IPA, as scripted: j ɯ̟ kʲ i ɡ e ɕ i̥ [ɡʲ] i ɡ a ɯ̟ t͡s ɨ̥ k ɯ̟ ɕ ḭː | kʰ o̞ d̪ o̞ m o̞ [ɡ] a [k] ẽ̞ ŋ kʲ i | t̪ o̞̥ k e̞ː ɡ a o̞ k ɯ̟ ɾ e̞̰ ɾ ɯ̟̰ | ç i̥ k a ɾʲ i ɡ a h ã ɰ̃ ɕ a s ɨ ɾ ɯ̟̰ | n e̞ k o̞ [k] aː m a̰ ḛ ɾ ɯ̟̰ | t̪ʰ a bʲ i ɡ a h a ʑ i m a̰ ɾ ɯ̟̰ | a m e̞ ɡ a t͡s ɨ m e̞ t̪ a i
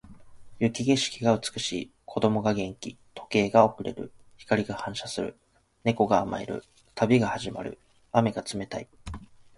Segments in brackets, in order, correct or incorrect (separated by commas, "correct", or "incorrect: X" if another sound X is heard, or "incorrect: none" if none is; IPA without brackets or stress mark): incorrect: kʲ, correct, incorrect: ɡ, incorrect: ɡ